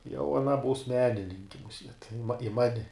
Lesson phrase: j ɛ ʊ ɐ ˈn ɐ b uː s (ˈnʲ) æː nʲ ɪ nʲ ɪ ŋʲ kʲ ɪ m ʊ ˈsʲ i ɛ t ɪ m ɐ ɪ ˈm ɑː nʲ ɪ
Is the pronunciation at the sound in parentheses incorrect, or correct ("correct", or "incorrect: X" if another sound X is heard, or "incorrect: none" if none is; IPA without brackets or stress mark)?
incorrect: mʲ